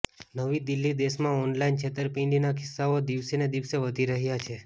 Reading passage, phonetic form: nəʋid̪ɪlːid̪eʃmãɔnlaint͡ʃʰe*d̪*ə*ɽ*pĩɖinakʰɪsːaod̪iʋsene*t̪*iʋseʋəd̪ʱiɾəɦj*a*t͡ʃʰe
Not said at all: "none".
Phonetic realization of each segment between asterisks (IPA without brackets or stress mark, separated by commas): t̪, ɾ, d̪, a